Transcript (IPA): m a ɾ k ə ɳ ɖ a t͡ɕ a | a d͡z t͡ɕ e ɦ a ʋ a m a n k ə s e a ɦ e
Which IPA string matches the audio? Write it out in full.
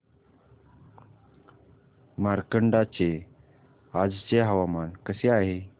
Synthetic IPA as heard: m a ɾ k ə ɳ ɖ a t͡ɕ e | a d͡z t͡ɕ e ɦ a ʋ a m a n k ə s e a ɦ e